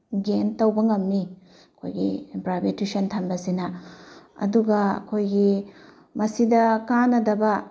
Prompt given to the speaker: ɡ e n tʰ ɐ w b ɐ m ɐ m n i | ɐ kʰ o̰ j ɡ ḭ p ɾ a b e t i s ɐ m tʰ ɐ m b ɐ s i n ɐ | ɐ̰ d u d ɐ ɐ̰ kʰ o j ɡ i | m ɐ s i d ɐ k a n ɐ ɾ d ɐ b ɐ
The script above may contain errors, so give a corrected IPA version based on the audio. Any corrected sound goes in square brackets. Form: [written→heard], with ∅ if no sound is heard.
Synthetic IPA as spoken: ɡ e n [tʰ→t] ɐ w b ɐ [m→ŋ] ɐ m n i | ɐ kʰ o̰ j ɡ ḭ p ɾ a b e t i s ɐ [m→n] tʰ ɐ m b ɐ s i n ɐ | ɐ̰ d u [d→ɡ] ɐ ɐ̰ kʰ o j ɡ i | m ɐ s i d ɐ k a n ɐ [ɾ→∅] d ɐ b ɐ